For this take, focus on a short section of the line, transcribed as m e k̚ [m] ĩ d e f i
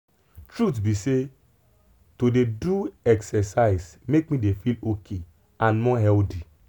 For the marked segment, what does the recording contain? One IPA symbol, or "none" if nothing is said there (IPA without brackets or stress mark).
m